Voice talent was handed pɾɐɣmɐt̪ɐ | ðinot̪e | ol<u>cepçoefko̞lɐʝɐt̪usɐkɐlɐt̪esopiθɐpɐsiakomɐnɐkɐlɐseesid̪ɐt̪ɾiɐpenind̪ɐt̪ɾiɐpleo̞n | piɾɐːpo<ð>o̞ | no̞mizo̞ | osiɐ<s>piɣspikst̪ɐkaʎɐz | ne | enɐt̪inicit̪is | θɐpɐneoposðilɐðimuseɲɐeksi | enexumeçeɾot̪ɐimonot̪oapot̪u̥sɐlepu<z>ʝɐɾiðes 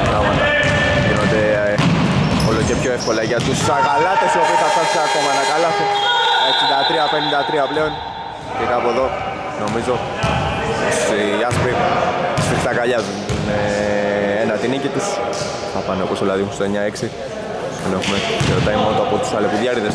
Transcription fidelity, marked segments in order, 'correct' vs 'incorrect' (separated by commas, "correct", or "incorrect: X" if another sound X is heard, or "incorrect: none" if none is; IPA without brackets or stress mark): incorrect: o, correct, correct, incorrect: ð